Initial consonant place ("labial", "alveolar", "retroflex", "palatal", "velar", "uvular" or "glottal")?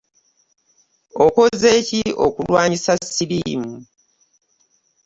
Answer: velar